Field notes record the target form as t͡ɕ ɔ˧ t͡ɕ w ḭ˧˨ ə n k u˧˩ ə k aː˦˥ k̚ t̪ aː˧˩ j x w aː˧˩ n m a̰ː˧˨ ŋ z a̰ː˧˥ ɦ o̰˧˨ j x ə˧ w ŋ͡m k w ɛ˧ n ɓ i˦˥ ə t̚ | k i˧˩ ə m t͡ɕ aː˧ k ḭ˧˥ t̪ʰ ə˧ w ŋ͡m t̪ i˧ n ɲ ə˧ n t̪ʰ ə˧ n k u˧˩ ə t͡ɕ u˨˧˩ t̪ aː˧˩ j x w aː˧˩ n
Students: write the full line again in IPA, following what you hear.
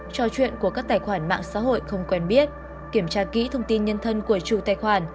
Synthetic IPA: t͡ɕ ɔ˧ t͡ɕ w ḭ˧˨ ə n k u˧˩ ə k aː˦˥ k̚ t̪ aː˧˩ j x w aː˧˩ n m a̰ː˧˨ ŋ s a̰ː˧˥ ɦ o̰˧˨ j x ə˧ w ŋ͡m k w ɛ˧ n ɓ i˦˥ ə t̚ | k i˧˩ ə m t͡ɕ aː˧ k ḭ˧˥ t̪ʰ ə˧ w ŋ͡m t̪ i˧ n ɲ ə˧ n t̪ʰ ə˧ n k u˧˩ ə t͡ɕ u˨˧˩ t̪ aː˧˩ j x w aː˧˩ n

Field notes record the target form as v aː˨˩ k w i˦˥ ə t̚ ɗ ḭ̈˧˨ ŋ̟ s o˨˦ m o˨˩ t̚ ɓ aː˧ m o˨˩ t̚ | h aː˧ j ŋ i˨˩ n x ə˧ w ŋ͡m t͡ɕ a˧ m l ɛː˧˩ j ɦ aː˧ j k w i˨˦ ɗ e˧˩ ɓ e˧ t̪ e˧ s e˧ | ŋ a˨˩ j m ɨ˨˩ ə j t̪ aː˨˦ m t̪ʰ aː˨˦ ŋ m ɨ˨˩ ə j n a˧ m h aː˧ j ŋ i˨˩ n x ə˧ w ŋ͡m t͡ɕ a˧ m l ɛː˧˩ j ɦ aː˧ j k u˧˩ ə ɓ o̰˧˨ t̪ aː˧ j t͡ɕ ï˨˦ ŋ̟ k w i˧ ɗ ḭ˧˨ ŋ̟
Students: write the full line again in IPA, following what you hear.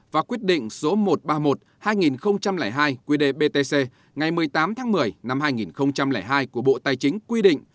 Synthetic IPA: v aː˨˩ k w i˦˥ ə t̚ ɗ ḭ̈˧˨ ŋ̟ s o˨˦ m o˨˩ t̚ ɓ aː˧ m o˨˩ t̚ | h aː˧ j ŋ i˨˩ n x ə˧ w ŋ͡m t͡ɕ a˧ m l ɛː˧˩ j ɦ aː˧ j k w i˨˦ ɗ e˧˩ ɓ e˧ t̪ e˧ s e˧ | ŋ a˨˩ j m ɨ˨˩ ə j t̪ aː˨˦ m t̪ʰ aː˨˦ ŋ m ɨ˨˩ ə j n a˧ m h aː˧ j ŋ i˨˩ n x ə˧ w ŋ͡m t͡ɕ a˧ m l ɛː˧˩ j ɦ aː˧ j k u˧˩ ə ɓ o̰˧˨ t̪ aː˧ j t͡ɕ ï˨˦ ŋ̟ k w i˧ ɗ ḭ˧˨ ŋ̟

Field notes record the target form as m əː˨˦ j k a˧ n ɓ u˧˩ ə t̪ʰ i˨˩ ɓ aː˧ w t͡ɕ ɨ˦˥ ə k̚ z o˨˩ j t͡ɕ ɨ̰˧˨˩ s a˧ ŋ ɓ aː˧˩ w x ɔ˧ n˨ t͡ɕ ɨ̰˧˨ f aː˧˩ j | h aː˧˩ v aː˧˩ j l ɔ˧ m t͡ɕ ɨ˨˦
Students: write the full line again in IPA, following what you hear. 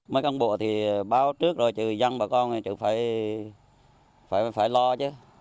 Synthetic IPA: m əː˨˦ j k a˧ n ɓ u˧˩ ə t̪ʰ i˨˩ ɓ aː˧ w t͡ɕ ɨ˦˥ ə k̚ z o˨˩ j t͡ɕ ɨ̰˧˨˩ z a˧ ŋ ɓ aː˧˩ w k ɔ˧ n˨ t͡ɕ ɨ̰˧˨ f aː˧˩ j | f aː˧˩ f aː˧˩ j l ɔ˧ t͡ɕ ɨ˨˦

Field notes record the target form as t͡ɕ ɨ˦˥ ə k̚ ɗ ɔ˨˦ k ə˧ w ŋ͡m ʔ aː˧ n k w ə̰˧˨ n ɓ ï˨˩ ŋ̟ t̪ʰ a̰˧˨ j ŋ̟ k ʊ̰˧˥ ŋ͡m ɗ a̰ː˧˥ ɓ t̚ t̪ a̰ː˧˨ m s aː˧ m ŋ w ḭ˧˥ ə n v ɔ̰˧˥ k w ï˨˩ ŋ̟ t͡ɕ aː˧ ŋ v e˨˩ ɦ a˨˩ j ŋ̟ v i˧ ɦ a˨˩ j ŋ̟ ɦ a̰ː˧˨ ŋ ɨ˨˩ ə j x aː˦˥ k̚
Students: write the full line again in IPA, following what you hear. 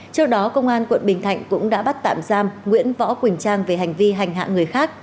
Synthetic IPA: t͡ɕ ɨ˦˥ ə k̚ ɗ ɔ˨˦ k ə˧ w ŋ͡m ʔ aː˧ n k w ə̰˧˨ n ɓ ï˨˩ ŋ̟ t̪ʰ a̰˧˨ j ŋ̟ k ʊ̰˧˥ ŋ͡m ɗ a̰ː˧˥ ɓ t̚ t̪ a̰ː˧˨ m z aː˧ m ŋ w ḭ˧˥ ə n v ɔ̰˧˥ k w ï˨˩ ŋ̟ t͡ɕ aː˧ ŋ v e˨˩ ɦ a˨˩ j ŋ̟ v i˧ ɦ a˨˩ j ŋ̟ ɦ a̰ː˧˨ ŋ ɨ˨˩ ə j x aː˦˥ k̚

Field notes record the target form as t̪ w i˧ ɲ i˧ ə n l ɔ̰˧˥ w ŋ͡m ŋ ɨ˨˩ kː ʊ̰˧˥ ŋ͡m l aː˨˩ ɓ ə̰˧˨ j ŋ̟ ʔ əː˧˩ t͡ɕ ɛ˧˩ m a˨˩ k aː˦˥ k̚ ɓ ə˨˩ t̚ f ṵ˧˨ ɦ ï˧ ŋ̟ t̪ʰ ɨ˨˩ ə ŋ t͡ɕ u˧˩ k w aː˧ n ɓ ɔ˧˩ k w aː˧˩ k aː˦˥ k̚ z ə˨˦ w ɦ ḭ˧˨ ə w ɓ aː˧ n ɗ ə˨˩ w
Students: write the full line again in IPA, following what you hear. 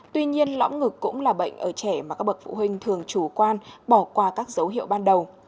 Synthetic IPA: t̪ w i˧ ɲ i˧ ə n l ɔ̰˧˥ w ŋ͡m ŋ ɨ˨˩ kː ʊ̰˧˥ ŋ͡m l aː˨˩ ɓ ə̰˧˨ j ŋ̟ ʔ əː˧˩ t͡ɕ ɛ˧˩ m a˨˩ k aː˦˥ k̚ ɓ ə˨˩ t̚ f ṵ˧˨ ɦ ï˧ ŋ̟ t̪ʰ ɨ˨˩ ə ŋ t͡ɕ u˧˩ k w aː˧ n ɓ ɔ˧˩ k w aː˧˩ k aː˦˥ k̚ z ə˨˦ w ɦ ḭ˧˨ ə w ɓ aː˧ n ɗ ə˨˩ w

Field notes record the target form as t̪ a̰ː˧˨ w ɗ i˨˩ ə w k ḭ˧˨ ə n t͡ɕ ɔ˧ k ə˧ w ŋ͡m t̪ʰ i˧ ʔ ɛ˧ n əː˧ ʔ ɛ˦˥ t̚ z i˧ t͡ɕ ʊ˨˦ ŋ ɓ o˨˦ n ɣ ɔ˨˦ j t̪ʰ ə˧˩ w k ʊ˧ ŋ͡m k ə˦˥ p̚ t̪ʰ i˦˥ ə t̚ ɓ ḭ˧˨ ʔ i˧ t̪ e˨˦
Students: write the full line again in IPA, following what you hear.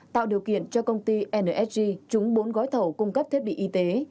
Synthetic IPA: t̪ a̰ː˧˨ w ɗ i˨˩ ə w k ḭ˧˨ ə n t͡ɕ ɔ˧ k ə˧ w ŋ͡m t̪ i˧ ʔ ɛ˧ n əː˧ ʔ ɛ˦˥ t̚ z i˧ t͡ɕ ʊ˨˦ ŋ͡m ɓ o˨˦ n ɣ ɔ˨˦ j t̪ʰ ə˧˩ w k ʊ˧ ŋ͡m k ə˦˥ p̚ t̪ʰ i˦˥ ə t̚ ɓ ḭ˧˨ ʔ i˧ t̪ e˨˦

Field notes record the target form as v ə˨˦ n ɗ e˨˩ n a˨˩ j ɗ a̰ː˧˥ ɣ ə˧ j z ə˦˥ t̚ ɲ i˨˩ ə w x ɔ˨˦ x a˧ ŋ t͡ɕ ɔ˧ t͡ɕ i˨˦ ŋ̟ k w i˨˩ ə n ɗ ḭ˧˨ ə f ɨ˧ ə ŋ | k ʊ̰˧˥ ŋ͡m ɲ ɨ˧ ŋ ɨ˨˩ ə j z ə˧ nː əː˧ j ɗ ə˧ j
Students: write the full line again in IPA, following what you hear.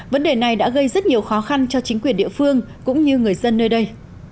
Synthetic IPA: v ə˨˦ n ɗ e˨˩ n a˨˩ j ɗ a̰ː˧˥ ɣ ə˧ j z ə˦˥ t̚ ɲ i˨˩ ə w x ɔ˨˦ x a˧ n t͡ɕ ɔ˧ t͡ɕ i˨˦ ŋ̟ k w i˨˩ ə n ɗ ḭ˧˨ ə f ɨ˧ ə ŋ | k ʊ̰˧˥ ŋ͡m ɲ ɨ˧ ŋ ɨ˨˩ ə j z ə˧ nː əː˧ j ɗ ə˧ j

